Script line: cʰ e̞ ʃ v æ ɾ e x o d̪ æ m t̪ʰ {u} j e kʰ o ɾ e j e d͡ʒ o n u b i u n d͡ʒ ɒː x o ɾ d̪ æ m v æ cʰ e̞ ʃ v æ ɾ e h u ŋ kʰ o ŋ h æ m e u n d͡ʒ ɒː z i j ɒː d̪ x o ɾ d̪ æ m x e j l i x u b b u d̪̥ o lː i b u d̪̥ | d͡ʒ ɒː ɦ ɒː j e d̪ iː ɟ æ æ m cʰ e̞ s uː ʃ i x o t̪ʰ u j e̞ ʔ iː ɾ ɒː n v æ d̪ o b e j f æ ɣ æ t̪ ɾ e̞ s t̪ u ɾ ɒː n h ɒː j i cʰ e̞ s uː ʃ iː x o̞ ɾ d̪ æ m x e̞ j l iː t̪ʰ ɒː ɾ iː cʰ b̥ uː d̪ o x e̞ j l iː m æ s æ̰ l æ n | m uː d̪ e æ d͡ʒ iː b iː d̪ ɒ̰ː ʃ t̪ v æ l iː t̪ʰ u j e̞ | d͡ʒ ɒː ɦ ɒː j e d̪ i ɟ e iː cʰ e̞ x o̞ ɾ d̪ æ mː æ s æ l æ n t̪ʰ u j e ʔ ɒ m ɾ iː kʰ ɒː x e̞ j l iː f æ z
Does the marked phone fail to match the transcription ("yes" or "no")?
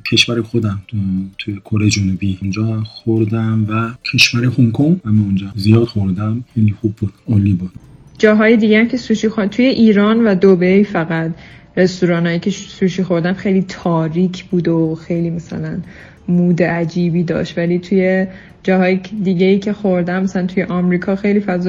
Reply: no